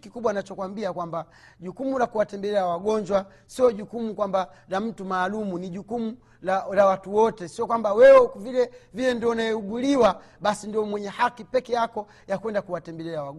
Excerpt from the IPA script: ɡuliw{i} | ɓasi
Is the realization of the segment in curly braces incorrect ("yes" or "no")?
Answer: yes